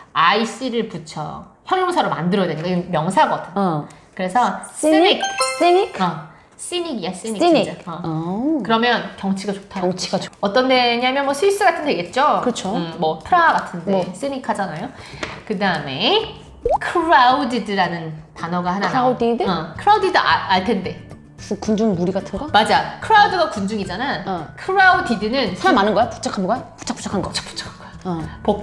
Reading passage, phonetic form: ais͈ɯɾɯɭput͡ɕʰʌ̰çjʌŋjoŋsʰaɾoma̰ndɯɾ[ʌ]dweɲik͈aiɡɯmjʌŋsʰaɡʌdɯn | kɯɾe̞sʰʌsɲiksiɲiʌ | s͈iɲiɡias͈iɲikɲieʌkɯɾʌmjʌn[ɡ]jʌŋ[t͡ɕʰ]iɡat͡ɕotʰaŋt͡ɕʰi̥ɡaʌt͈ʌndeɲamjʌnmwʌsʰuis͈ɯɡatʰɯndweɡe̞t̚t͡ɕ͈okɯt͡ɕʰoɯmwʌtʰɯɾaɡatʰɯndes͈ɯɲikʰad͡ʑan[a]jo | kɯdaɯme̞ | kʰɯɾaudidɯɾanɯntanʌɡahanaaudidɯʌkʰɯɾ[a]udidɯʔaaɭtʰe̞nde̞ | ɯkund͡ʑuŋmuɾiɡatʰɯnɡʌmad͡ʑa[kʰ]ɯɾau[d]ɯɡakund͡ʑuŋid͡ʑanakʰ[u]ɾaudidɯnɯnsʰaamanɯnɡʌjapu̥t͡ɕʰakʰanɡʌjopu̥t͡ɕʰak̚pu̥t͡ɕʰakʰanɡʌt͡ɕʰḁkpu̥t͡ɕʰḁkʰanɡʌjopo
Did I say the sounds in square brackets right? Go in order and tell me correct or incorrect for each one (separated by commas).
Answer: correct, incorrect, correct, correct, correct, correct, correct, incorrect